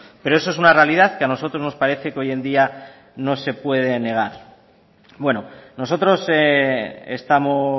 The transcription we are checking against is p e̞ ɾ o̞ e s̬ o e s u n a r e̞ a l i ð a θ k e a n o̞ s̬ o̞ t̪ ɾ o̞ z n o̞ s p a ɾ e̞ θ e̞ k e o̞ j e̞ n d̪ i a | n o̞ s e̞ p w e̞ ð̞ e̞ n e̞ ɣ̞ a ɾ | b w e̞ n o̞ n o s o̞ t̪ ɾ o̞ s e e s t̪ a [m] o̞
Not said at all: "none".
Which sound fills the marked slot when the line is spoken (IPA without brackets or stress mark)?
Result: m